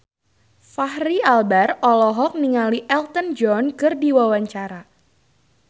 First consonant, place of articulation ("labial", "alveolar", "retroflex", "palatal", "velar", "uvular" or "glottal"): labial